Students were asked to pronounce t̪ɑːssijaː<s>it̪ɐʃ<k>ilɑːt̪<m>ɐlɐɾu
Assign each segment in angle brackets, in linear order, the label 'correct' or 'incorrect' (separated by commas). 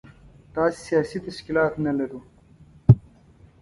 correct, correct, incorrect